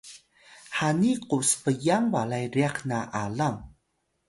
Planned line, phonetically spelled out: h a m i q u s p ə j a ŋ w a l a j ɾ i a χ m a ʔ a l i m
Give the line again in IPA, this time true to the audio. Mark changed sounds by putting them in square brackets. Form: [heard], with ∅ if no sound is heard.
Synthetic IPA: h a [n] i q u s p ə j a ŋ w a l a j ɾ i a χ [n] a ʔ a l [a] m